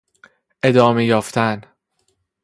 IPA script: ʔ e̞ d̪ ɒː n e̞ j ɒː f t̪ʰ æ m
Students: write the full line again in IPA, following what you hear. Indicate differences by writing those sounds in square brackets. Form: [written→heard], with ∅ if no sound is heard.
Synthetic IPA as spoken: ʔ e̞ d̪ ɒː [n→m] e̞ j ɒː f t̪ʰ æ [m→n]

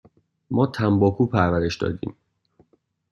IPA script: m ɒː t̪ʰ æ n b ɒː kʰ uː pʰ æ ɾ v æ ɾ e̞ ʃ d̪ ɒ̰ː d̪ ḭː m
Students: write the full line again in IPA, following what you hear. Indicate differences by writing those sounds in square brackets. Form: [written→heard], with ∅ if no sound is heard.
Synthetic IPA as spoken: m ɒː t̪ʰ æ [n→m] b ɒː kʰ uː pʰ æ ɾ v æ ɾ e̞ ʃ d̪ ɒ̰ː d̪ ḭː m

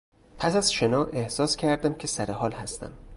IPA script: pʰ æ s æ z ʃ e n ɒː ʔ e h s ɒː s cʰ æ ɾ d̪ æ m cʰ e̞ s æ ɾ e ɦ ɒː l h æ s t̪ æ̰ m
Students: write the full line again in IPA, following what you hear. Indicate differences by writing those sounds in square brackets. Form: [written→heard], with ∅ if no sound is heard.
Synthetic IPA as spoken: pʰ æ s æ z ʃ e n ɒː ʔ e h s ɒː s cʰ æ ɾ d̪ æ m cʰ e̞ s æ ɾ e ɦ ɒː l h æ s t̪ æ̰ m

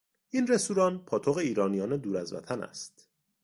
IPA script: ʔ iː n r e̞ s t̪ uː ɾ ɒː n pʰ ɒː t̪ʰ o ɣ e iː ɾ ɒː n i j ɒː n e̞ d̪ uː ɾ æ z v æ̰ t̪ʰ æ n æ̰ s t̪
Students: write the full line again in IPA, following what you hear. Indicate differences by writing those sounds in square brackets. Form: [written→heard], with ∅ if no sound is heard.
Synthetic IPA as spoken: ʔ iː n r e̞ s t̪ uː ɾ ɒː n pʰ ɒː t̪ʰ o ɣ e iː ɾ ɒː n i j ɒː n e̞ d̪ uː ɾ æ z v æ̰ t̪ʰ æ n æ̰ s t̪

